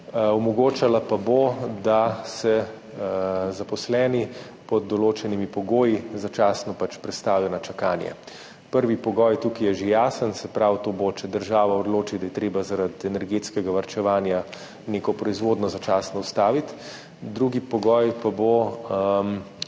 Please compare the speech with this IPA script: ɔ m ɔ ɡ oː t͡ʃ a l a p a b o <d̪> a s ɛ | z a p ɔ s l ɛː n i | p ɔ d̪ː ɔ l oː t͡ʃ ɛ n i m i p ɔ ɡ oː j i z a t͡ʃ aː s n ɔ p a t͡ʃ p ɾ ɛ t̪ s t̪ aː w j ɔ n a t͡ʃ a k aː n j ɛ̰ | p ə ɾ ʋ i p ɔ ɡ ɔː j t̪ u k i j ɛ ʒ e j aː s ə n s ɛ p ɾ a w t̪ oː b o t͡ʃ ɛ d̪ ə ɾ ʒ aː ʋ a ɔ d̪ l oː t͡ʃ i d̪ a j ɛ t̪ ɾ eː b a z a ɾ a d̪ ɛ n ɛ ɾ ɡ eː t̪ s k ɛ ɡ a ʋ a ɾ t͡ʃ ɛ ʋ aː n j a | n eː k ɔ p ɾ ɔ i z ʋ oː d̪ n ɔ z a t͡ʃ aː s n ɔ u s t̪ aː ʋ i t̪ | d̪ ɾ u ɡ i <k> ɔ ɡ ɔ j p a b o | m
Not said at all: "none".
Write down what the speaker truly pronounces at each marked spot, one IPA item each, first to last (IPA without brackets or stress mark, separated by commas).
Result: d̪, p